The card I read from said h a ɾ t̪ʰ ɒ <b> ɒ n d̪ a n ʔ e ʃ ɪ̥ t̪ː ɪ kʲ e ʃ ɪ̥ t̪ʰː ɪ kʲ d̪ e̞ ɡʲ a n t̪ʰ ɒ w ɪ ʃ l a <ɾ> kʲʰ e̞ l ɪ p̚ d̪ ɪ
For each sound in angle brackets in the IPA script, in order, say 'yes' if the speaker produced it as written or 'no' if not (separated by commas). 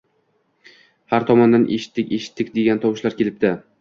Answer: no, yes